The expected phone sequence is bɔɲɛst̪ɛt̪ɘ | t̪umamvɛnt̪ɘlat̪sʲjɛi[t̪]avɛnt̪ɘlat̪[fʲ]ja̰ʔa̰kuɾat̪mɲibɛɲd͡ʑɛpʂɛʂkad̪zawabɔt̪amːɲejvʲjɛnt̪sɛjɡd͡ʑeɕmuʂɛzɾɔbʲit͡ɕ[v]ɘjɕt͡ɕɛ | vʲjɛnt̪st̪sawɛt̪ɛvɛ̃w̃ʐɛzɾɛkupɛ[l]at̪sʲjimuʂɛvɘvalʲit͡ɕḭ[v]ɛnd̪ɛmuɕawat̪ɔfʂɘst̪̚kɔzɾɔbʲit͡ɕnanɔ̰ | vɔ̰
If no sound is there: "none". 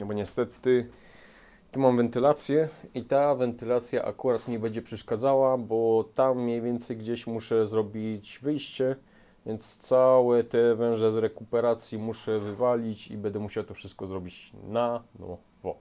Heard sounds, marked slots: t̪, sʲ, v, ɾ, b

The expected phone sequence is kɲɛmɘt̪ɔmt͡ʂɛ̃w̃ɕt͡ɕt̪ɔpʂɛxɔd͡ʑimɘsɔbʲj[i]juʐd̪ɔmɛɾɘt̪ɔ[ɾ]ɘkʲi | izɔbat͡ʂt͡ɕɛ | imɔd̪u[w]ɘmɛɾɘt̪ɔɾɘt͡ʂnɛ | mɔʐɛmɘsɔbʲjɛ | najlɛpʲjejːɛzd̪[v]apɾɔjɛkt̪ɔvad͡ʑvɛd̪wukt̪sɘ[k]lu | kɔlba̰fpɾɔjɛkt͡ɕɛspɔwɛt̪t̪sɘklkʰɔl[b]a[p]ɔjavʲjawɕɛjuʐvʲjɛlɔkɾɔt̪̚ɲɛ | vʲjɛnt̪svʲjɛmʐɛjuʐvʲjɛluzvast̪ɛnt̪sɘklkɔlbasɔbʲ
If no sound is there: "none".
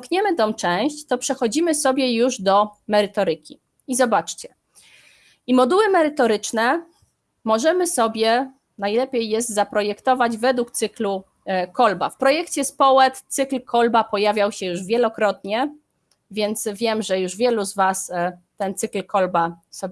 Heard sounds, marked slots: ɛ, ɾ, w, z, k, b, p

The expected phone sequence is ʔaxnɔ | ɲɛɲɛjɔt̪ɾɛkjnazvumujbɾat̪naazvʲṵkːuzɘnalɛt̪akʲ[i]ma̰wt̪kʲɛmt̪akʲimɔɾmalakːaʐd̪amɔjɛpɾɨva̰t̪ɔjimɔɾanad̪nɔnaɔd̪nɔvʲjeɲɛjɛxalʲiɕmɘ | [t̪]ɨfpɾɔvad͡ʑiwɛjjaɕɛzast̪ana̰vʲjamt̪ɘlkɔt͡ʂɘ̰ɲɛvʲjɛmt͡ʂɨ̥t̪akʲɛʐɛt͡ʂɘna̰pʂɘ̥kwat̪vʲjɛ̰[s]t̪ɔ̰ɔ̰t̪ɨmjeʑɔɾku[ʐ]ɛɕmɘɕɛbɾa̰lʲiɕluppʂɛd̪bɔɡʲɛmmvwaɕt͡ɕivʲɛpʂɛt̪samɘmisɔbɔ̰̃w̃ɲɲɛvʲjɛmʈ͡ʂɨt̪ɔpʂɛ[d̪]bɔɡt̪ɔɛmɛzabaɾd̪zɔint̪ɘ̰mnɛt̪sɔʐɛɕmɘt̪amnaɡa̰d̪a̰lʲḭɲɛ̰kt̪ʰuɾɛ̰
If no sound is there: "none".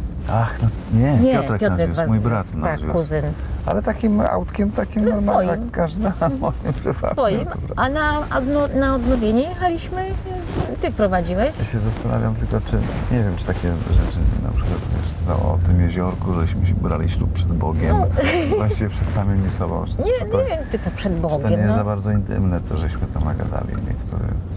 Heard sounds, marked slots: i, t̪, ʂ, ʐ, d̪

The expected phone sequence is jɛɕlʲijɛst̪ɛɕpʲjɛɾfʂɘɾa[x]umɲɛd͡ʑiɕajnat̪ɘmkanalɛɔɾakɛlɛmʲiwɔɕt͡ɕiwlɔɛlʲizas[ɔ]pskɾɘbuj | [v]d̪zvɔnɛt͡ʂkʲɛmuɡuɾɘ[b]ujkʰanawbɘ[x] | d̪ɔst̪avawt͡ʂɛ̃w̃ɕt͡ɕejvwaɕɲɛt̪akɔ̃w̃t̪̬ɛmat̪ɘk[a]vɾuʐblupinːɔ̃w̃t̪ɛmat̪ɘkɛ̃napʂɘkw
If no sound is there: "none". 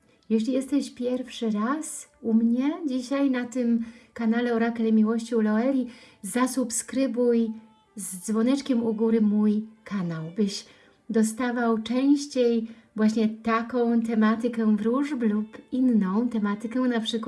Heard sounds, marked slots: s, u, z, m, ɕ, ɛ

